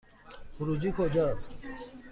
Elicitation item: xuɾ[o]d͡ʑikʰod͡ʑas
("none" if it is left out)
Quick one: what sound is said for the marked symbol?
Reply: u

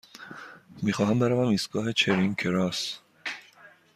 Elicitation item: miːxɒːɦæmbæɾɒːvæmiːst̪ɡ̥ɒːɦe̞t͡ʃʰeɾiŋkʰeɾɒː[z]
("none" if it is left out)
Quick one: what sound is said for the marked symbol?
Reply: s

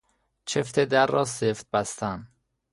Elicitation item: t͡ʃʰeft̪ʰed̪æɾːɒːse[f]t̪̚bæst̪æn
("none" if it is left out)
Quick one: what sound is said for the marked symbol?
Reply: f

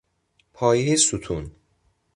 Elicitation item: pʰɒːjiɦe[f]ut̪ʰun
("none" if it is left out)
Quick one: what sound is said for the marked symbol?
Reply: s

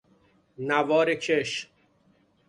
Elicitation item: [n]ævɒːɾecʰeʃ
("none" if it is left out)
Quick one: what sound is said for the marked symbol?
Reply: n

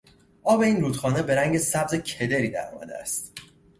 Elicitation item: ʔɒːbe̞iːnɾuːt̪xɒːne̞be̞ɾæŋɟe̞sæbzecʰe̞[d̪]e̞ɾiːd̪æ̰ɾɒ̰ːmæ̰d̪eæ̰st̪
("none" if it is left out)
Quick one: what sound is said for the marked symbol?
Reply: d̪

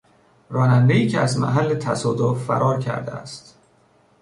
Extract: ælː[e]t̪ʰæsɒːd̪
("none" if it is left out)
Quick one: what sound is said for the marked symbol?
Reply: e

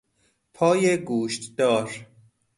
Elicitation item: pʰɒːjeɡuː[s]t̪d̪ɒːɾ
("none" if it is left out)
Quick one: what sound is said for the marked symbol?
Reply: ʃ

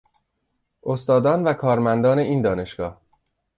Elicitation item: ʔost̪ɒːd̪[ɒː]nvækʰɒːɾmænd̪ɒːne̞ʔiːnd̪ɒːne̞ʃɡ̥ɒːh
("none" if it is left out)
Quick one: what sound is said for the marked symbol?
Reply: ɒː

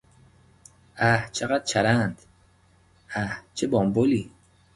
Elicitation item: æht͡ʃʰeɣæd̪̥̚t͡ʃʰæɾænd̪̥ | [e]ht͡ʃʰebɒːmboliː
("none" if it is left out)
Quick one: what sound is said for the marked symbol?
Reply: æ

